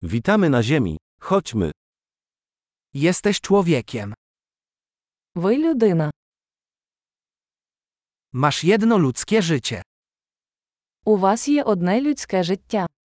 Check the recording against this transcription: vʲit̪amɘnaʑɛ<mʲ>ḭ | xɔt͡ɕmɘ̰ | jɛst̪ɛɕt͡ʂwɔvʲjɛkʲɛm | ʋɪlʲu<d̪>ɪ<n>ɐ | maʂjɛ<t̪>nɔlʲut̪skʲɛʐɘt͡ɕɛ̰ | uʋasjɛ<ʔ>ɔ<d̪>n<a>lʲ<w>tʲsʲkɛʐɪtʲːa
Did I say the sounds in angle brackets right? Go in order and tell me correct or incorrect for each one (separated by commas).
correct, correct, correct, incorrect, correct, correct, incorrect, incorrect